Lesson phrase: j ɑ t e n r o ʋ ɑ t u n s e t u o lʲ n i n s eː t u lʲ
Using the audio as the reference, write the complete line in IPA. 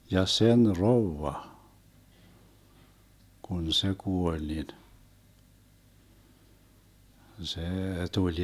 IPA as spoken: j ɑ s e n r o ʋː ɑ k u n s e k u o lʲ n i n s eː t u lʲ